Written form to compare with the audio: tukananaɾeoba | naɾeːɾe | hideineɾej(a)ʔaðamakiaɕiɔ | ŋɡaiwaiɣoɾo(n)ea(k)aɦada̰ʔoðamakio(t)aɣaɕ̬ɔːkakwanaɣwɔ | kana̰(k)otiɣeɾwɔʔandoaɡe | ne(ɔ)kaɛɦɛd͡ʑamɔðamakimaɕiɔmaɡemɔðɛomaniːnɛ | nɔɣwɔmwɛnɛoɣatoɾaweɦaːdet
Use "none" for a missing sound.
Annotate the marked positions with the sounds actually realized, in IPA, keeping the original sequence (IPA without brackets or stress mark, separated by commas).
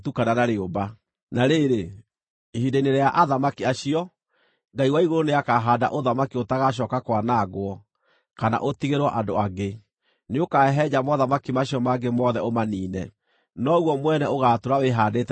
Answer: a, n, k, t, ʔ, o